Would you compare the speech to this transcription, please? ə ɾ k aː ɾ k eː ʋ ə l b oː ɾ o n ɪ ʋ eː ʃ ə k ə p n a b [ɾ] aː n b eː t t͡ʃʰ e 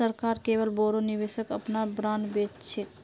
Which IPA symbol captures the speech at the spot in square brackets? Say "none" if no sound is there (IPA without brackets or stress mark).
ɾ